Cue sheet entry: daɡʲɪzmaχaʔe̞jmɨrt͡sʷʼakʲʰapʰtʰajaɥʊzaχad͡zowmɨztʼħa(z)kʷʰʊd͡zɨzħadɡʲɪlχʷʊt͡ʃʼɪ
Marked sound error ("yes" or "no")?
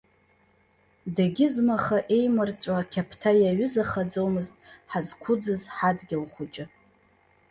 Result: no